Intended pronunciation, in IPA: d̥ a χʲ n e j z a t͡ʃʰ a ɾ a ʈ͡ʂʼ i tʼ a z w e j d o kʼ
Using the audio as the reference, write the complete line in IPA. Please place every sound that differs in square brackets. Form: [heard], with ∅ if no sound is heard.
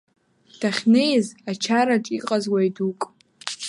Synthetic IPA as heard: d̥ a χʲ n e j z a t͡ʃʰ a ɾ a ʈ͡ʂʼ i [qʼ] a z w [a] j d [u] kʼ